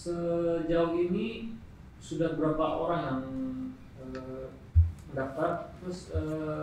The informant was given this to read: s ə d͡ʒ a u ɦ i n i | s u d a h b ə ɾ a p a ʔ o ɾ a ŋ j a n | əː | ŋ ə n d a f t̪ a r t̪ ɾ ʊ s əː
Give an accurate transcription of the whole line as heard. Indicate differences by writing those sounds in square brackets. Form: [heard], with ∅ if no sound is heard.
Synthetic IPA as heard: s ə d͡ʒ a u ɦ i n i | s u d a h b ə ɾ a p a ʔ o ɾ a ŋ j a [ŋ] | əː | [m] ə n d a f t̪ a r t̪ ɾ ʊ s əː